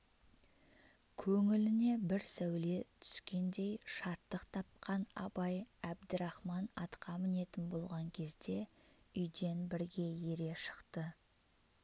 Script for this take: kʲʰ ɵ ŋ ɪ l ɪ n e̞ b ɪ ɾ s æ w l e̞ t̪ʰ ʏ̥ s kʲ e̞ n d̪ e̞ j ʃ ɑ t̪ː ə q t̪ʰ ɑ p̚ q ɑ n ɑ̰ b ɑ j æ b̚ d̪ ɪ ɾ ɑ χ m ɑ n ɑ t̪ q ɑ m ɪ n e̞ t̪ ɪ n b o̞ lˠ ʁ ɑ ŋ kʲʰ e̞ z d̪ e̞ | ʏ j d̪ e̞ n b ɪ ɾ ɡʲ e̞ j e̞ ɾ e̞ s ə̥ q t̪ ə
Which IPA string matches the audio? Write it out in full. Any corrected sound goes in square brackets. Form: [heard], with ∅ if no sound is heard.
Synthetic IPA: kʲʰ ɵ ŋ ɪ l ɪ n e̞ b ɪ ɾ s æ w l e̞ t̪ʰ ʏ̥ s kʲ e̞ n d̪ e̞ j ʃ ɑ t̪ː ə q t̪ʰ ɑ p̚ q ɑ n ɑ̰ b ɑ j æ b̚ d̪ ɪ ɾ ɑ χ m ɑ n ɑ t̪ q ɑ m ɪ n e̞ t̪ ɪ n b o̞ lˠ ʁ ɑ ŋ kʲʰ e̞ z d̪ e̞ | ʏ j d̪ e̞ n b ɪ ɾ ɡʲ e̞ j e̞ ɾ e̞ [ʃ] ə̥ q t̪ ə